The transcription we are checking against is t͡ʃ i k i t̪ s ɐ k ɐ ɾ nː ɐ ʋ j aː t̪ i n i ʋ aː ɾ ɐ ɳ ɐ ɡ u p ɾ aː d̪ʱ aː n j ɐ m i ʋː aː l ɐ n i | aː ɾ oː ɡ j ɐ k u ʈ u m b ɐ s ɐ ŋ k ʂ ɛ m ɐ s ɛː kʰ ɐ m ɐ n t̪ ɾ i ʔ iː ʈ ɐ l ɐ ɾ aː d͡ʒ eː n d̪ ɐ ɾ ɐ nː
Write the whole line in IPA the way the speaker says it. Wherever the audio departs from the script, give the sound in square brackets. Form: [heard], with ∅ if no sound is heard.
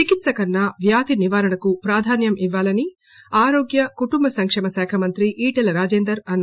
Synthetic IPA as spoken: t͡ʃ i k i t̪ s ɐ k ɐ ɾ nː ɐ ʋ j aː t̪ i n i ʋ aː ɾ ɐ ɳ ɐ [k] u p ɾ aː d̪ʱ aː n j ɐ m i ʋː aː l ɐ n i | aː ɾ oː ɡ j ɐ k u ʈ u m b ɐ s ɐ ŋ k ʂ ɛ m ɐ s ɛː kʰ ɐ m ɐ n t̪ ɾ i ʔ iː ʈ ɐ l ɐ ɾ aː d͡ʒ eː n d̪ ɐ ɾ ɐ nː